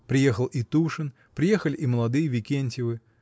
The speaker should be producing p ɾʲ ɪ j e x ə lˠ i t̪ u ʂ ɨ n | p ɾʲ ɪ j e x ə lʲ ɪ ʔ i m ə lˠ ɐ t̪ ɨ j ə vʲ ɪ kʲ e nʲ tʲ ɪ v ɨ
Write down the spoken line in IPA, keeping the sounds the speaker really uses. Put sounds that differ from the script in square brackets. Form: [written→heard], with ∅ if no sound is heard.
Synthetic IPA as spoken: p ɾʲ ɪ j e x ə lˠ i t̪ u ʂ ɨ n | p ɾʲ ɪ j e x ə lʲ ɪ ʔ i m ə lˠ ɐ [t̪→d̪] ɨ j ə vʲ ɪ kʲ e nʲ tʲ ɪ v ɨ